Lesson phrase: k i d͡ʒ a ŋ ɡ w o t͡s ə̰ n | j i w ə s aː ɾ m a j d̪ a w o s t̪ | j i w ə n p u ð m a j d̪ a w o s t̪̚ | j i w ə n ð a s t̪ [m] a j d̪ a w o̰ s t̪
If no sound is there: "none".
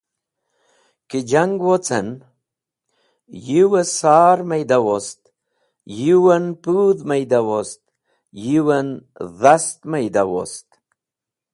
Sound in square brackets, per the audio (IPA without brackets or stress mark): m